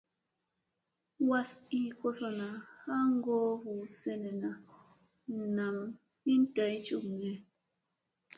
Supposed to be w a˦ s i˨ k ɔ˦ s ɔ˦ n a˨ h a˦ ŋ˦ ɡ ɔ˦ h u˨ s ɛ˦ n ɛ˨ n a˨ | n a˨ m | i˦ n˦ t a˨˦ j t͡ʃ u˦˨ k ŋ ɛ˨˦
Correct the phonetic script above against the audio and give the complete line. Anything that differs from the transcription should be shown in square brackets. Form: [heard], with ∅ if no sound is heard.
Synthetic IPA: w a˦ s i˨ k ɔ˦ s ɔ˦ n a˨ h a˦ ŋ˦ ɡ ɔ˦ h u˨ s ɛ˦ n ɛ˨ n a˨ | n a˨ m | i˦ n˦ t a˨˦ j t͡ʃ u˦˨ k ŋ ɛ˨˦